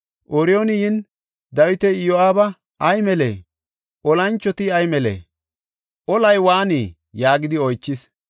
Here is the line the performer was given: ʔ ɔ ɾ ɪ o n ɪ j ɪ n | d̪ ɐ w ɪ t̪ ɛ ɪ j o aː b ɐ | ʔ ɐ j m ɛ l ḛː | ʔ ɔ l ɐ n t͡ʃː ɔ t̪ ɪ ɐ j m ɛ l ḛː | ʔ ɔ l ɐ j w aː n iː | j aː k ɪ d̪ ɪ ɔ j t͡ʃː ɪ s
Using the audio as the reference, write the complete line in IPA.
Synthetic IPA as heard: ʔ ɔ ɾ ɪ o n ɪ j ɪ n | d̪ ɐ w ɪ t̪ ɛ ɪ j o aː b ɐ | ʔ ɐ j m ɛ l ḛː | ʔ ɔ l ɐ n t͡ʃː ɔ t̪ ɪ ɐ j m ɛ l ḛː | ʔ ɔ l ɐ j w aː n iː | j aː ɡ ɪ d̪ ɪ ɔ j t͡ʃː ɪ s